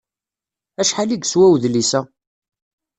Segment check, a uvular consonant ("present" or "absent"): absent